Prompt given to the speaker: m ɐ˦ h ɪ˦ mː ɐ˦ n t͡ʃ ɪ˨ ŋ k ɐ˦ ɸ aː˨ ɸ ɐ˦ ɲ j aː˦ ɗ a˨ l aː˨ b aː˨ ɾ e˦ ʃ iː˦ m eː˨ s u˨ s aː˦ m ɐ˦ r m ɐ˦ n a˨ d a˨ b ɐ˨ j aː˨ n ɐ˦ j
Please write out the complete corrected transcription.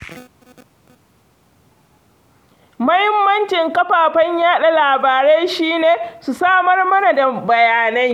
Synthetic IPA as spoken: m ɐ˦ h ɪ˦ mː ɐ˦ n t͡ʃ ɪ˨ ŋ k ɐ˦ ɸ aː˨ ɸ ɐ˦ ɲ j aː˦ ɗ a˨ l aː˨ b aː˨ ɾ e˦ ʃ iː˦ n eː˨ s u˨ s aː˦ m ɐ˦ r m ɐ˦ n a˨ d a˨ b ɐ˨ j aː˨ n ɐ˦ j